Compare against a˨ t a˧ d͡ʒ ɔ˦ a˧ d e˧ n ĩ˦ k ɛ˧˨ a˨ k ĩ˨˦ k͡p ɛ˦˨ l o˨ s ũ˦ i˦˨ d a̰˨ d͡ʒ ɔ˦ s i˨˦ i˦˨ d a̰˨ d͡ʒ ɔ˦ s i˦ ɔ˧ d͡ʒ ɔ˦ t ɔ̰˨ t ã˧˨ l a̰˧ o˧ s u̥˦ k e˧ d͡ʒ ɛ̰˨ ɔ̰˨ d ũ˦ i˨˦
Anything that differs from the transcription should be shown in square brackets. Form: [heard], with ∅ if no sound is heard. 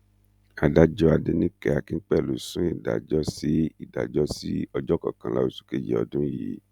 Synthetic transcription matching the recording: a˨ [d] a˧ d͡ʒ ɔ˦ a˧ d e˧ n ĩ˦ k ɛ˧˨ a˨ k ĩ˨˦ k͡p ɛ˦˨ l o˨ s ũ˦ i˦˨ d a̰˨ d͡ʒ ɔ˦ s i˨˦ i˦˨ d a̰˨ d͡ʒ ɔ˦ s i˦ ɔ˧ d͡ʒ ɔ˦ [k] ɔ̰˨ [k] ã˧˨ l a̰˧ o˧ s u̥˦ k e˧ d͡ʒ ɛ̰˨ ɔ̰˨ d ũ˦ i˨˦